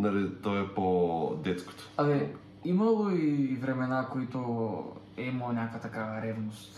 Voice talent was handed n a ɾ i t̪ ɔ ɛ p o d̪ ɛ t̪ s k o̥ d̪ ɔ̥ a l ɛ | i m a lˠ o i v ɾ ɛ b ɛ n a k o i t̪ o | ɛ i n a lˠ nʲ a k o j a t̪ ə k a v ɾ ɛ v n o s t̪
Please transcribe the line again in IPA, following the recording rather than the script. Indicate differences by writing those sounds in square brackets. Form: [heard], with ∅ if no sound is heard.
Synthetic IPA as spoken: n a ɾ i t̪ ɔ ɛ p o d̪ ɛ t̪ s k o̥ [t̪] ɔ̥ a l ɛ | i m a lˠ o i v ɾ ɛ [m] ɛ n a k o i t̪ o | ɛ i [m] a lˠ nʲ a k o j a t̪ [a] k a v ɾ ɛ v n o s t̪